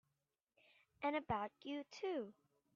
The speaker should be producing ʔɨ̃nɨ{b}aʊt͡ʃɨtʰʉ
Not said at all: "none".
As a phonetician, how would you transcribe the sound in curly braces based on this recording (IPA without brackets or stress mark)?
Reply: b